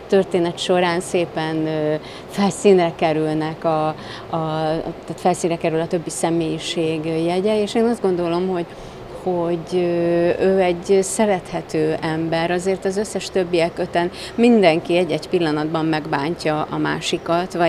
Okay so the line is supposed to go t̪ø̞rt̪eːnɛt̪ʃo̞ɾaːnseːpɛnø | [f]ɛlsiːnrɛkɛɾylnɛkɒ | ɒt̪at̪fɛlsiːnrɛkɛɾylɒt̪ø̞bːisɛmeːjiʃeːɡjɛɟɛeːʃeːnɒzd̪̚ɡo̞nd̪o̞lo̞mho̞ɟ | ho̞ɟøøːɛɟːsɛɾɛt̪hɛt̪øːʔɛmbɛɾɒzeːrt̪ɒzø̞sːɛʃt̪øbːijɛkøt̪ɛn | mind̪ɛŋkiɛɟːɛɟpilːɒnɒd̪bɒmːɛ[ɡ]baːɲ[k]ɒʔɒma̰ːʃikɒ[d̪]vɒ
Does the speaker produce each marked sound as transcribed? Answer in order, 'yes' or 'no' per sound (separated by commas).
yes, yes, no, no